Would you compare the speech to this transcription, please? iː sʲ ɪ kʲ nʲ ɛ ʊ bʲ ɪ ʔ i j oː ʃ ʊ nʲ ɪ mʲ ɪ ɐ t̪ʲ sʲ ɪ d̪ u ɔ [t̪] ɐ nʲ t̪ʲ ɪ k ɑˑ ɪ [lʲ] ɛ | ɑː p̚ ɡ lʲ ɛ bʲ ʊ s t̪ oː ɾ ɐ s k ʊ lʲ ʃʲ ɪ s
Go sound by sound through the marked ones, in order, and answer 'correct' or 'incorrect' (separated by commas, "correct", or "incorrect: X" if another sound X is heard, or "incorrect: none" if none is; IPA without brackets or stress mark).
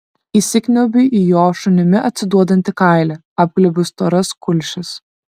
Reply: incorrect: d̪, correct